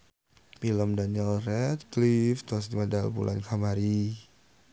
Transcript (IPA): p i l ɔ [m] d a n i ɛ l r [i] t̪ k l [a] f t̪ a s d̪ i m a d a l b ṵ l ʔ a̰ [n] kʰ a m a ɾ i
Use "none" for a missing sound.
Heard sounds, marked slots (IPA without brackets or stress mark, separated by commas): m, ɛ, i, n